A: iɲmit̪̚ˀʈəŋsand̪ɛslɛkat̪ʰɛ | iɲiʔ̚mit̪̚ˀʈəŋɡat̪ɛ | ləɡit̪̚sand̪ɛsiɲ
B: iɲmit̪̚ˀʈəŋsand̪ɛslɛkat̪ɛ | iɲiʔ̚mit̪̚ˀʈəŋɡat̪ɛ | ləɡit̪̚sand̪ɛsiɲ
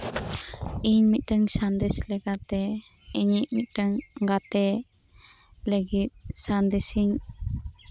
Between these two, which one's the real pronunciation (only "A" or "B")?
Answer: B